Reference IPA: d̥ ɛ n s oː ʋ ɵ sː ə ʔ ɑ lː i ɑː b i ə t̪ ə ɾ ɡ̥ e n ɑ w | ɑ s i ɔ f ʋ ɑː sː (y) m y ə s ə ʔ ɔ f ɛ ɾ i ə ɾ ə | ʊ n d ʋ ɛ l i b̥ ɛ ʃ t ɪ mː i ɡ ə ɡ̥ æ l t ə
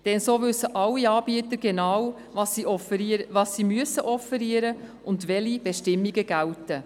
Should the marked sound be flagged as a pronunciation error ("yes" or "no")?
yes